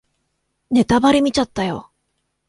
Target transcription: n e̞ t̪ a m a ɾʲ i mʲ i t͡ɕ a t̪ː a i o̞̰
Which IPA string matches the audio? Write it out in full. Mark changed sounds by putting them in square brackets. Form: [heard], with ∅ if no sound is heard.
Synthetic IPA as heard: n e̞ t̪ a [b] a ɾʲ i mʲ i t͡ɕ a t̪ː a [j] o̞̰